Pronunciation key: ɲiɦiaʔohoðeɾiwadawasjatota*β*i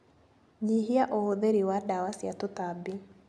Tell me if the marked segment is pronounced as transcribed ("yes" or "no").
no